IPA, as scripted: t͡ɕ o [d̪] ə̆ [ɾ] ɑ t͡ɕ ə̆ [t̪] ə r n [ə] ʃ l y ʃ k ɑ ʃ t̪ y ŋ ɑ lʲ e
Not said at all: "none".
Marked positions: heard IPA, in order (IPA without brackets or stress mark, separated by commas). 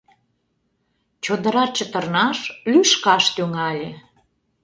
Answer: d̪, ɾ, t̪, ɑ